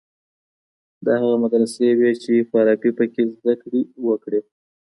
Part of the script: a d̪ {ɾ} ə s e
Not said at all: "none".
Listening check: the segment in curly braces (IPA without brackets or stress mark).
ɾ